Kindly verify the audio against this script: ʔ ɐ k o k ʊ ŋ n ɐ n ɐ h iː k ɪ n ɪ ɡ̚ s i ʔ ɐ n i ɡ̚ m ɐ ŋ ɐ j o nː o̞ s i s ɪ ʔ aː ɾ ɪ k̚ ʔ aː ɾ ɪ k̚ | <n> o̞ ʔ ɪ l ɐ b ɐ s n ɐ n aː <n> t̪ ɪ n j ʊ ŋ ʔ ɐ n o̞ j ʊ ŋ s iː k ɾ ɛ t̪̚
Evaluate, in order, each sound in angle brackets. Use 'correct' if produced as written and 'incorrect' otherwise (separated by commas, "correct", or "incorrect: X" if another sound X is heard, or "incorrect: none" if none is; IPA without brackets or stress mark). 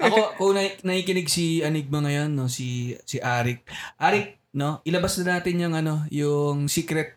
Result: correct, incorrect: none